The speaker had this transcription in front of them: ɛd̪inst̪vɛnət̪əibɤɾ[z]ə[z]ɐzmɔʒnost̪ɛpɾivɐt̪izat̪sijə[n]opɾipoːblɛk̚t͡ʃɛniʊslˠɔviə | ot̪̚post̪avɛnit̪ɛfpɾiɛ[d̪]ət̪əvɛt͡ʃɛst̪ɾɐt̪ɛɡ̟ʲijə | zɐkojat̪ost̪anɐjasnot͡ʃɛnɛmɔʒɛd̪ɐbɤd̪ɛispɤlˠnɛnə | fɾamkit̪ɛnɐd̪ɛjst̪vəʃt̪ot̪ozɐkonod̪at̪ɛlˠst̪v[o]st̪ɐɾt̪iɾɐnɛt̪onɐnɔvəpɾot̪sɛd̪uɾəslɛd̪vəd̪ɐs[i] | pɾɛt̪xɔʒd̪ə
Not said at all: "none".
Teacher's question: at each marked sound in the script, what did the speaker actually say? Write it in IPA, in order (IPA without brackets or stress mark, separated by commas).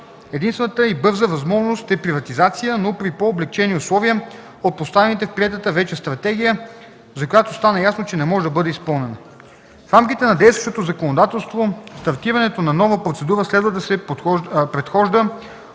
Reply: z, v, n, t̪, o, ɛ